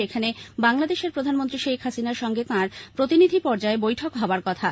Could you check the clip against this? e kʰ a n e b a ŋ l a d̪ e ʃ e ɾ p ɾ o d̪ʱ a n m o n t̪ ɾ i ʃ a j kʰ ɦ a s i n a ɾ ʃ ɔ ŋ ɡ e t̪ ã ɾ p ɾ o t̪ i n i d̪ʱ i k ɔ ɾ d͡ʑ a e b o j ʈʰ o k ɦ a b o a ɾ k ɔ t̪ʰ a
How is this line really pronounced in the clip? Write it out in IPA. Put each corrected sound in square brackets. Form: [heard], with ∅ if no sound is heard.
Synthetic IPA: e kʰ a n e b a ŋ l a d̪ e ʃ e ɾ p ɾ o d̪ʱ a n m o n t̪ ɾ i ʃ [e] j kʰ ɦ a s i n a ɾ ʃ ɔ ŋ ɡ e t̪ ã ɾ p ɾ o t̪ i n i d̪ʱ i [p] ɔ ɾ d͡ʑ a e b o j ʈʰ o k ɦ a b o a ɾ k ɔ t̪ʰ a